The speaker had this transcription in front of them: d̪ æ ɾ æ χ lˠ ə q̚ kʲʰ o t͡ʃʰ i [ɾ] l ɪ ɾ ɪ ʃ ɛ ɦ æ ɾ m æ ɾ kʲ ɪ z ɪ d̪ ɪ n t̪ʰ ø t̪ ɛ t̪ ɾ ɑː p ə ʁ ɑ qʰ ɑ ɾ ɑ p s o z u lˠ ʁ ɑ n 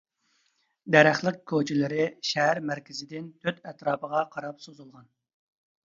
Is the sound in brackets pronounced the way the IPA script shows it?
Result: no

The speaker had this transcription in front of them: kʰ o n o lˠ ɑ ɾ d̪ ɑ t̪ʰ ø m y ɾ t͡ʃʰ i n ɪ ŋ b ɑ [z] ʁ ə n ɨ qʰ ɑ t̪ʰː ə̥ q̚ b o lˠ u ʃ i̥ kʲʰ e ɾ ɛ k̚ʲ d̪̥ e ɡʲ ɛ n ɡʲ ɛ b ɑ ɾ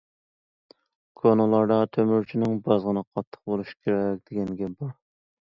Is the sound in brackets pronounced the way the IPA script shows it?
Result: yes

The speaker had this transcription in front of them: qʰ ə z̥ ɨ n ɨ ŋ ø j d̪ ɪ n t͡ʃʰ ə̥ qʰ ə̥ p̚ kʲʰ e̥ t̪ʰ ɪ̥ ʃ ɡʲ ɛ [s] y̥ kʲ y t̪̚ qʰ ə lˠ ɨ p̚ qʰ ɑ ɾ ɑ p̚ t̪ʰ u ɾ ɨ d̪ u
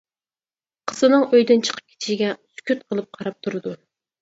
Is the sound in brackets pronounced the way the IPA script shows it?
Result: yes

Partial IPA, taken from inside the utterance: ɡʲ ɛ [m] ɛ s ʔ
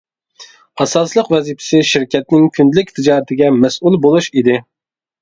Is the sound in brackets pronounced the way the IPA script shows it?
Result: yes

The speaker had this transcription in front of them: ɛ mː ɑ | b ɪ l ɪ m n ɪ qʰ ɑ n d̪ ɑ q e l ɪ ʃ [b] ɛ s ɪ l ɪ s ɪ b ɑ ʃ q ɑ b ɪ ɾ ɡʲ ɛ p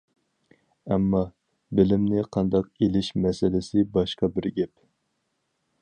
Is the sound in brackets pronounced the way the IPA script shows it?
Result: no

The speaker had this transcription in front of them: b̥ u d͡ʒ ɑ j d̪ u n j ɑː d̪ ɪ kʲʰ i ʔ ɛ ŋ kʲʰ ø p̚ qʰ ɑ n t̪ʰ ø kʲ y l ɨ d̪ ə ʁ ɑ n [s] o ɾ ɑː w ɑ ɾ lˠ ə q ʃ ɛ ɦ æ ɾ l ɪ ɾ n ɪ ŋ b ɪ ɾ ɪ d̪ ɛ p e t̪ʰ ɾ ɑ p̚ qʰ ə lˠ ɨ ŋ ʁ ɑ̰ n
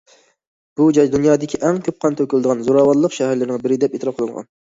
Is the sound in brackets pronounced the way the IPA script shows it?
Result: no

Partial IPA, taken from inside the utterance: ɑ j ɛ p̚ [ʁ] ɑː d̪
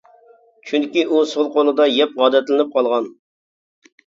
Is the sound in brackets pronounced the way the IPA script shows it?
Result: yes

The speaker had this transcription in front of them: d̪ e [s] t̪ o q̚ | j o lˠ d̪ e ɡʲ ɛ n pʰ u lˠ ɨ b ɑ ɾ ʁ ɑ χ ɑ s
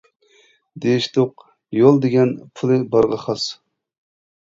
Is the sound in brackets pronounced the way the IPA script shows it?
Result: no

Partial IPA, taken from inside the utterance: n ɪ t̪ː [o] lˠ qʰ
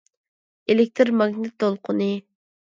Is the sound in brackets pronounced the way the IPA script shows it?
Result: yes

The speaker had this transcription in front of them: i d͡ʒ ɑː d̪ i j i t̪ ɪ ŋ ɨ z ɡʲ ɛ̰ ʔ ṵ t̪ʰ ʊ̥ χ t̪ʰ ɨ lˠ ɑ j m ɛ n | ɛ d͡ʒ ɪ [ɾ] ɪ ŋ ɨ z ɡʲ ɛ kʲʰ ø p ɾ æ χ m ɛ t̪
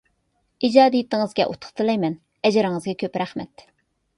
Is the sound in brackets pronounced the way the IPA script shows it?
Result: yes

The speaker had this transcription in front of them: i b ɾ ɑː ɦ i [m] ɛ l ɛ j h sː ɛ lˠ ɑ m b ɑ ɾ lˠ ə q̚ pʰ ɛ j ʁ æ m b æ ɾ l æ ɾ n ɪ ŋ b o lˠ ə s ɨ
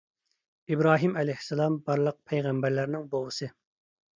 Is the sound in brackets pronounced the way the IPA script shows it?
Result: yes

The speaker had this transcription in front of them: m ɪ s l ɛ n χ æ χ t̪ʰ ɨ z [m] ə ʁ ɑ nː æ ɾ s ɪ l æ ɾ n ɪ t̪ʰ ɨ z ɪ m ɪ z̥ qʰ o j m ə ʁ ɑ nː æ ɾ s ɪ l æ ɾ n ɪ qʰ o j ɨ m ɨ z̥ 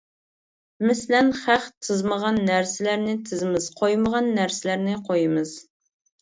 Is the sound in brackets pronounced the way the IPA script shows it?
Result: yes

